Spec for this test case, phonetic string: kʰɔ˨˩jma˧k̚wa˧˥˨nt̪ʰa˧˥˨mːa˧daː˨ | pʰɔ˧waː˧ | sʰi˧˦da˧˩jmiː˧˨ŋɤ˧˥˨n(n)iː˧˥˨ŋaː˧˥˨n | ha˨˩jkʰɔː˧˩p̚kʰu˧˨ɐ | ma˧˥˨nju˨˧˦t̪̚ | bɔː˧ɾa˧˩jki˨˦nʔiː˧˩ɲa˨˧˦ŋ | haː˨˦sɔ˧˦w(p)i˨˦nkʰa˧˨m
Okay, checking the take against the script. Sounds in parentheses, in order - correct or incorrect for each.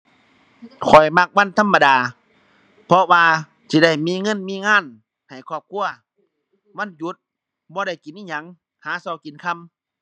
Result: incorrect, incorrect

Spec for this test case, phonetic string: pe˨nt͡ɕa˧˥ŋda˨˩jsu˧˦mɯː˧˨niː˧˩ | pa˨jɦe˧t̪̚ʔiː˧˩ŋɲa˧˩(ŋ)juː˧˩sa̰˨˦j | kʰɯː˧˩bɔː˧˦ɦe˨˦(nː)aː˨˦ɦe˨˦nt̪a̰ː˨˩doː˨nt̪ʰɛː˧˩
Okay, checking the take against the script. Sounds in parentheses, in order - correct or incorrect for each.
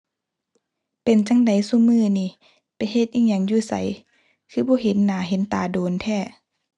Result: correct, correct

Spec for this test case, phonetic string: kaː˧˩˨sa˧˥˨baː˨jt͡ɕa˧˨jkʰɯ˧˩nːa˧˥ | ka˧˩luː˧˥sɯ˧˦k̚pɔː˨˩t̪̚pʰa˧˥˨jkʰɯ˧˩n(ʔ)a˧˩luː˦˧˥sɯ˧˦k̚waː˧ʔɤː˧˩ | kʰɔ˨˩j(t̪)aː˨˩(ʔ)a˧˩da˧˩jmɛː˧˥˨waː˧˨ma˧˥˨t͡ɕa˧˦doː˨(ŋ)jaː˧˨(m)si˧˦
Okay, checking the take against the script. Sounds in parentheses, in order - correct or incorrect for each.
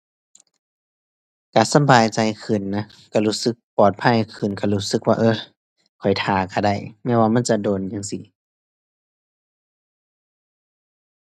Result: incorrect, incorrect, incorrect, incorrect, incorrect

